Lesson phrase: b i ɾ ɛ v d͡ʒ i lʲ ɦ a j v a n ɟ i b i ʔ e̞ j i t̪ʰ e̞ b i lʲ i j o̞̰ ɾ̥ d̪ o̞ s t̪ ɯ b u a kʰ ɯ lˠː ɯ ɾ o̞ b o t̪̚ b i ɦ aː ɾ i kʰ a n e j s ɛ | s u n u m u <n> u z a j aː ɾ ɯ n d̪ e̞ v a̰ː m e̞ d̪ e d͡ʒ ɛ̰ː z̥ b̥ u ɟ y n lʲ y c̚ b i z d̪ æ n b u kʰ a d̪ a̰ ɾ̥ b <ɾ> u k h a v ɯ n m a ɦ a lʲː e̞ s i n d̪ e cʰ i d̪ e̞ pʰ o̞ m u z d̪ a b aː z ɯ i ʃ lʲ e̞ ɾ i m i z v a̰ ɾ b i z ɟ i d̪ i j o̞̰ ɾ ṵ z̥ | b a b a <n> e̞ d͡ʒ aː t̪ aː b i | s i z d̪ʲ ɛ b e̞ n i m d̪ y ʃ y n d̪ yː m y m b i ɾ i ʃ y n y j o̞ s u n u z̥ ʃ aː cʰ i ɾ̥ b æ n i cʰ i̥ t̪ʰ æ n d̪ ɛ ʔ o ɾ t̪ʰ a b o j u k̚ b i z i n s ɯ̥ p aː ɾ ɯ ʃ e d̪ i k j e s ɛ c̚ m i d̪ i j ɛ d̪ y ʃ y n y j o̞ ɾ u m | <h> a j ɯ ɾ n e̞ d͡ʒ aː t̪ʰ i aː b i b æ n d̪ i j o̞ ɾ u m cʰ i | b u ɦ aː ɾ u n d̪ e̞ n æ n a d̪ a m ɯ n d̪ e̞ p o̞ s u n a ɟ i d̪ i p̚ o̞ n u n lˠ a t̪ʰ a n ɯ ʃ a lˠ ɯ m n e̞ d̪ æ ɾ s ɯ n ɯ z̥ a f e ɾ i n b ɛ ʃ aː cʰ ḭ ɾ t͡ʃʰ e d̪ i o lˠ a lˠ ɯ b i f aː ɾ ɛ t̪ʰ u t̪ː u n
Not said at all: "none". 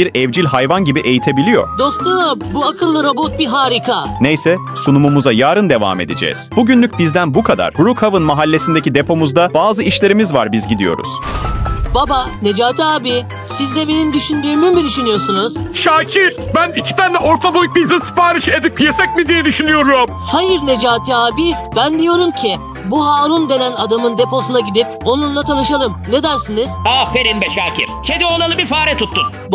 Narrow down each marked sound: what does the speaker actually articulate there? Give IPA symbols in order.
m, ɾ, n, h

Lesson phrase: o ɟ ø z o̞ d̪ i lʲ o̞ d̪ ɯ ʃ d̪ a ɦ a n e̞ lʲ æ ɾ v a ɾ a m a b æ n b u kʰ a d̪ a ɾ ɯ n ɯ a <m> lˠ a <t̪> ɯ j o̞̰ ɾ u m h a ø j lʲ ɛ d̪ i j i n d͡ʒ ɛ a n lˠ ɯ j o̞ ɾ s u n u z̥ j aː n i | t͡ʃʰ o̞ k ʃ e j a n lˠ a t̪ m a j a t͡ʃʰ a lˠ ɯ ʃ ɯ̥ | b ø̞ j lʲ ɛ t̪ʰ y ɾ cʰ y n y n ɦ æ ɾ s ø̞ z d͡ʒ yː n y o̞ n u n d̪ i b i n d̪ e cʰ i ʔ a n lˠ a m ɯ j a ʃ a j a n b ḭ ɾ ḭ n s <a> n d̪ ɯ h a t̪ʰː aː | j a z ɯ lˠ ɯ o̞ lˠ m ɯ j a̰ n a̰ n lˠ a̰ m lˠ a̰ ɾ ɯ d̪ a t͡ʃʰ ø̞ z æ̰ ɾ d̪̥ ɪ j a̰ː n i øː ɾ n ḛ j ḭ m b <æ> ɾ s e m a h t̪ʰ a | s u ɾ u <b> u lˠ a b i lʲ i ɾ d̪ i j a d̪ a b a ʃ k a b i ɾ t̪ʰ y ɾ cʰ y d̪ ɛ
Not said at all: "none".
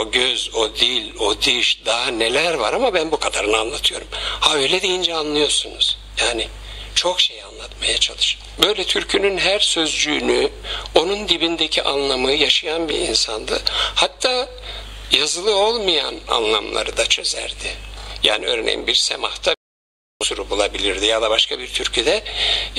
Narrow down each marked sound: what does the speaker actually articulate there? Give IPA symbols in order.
n, t̪ʰ, a, i, b

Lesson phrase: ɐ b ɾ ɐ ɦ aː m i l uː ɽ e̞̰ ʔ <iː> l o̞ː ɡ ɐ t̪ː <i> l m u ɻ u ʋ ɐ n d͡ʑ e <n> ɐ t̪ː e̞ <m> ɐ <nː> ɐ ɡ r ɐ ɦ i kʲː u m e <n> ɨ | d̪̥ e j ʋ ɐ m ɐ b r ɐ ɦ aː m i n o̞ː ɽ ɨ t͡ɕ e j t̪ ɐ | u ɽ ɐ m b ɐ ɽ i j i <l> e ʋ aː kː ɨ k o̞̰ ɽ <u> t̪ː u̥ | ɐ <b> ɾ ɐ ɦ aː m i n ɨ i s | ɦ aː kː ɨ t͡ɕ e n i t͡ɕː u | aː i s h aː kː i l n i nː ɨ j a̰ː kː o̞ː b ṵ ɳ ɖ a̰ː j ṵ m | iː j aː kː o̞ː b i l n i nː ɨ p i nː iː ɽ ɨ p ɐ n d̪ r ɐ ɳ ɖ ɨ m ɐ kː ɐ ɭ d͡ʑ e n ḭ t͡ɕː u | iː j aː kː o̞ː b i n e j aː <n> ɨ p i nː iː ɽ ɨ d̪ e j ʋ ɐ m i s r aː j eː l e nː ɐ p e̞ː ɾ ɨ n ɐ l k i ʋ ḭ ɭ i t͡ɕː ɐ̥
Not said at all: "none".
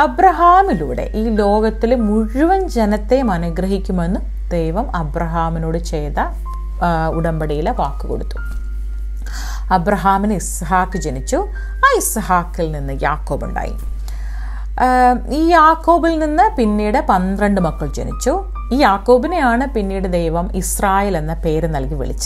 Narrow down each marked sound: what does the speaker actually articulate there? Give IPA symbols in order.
iː, i, n, m, n, nː, l, u, b, ɳ

